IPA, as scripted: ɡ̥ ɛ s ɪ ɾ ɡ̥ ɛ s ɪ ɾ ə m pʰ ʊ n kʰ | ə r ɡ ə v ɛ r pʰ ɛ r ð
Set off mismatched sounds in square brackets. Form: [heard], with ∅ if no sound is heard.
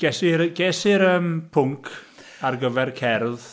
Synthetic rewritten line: ɡ̥ ɛ s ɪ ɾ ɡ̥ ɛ s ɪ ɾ ə m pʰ ʊ [ŋ] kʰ | [a] r ɡ ə v ɛ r [kʰ] ɛ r ð